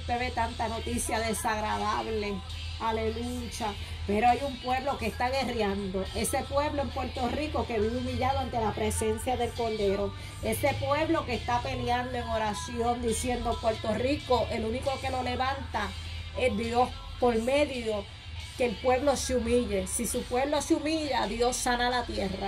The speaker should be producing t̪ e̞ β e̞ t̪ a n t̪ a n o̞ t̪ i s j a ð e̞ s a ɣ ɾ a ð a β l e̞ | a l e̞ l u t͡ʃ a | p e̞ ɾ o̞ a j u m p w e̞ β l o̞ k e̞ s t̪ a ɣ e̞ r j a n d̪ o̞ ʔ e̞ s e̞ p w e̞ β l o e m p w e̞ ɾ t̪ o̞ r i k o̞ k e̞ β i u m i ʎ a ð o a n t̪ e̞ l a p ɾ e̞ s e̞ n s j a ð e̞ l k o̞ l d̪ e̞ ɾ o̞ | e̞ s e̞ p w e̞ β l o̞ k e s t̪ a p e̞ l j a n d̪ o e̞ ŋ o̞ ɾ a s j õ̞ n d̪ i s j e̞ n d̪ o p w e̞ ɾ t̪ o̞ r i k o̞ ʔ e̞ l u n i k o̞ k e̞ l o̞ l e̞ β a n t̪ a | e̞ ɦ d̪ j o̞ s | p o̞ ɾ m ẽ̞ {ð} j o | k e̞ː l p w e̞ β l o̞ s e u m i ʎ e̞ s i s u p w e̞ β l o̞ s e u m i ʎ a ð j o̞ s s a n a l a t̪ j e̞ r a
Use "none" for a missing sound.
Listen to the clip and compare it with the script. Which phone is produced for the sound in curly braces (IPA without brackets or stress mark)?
ð